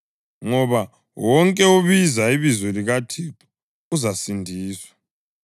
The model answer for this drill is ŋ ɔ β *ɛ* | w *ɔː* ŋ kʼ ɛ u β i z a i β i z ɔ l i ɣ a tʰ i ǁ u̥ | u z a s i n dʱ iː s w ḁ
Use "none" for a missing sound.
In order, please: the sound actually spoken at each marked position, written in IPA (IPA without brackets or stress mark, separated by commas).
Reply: a, ɔ